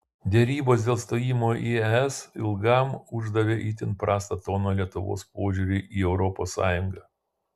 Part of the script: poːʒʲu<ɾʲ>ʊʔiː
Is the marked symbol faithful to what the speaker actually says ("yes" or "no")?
yes